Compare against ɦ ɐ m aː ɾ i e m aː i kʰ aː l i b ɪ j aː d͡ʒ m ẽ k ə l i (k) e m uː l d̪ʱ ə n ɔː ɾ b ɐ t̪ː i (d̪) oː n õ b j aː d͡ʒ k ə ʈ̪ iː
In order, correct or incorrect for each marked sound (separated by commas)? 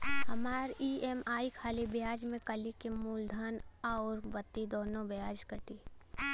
correct, correct